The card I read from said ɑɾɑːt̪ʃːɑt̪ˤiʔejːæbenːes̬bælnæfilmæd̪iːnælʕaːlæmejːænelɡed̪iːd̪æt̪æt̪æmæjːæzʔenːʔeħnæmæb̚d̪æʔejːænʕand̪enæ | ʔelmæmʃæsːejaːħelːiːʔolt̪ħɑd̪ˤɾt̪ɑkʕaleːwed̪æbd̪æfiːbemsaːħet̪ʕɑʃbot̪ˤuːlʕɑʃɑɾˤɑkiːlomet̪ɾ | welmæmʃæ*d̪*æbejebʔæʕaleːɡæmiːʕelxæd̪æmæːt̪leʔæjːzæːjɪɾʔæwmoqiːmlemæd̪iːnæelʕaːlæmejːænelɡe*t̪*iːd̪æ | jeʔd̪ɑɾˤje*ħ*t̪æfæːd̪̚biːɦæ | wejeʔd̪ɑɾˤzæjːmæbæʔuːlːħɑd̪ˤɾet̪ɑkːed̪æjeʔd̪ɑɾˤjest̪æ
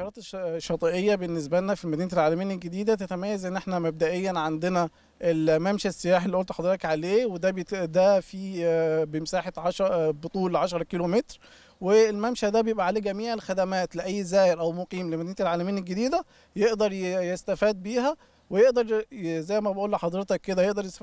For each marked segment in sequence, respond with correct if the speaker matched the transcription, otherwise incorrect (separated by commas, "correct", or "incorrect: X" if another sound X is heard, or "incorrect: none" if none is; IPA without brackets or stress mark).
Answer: correct, incorrect: d̪, incorrect: s